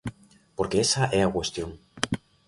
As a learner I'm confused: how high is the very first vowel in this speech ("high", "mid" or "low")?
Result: mid